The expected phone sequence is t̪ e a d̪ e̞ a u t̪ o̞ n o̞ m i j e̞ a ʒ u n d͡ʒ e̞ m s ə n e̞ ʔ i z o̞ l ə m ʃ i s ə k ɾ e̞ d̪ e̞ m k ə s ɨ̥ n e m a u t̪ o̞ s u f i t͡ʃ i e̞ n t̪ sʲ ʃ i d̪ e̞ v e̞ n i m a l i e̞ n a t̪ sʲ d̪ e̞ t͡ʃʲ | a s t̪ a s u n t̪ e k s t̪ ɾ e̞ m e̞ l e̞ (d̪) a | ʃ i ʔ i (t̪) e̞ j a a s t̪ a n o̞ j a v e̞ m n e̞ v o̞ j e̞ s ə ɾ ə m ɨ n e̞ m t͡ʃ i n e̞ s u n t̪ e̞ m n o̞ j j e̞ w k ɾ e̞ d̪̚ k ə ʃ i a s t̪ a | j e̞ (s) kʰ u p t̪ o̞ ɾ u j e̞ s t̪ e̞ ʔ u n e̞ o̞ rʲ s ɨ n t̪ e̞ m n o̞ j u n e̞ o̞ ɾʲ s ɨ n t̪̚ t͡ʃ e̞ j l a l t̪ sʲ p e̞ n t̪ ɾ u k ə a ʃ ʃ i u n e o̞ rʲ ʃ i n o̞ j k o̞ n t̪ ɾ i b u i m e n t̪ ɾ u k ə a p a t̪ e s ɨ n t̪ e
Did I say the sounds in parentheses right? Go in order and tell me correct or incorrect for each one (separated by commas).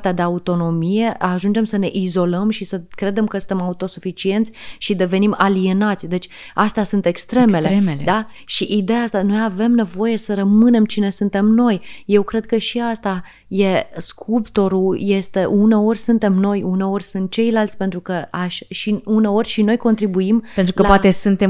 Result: correct, incorrect, correct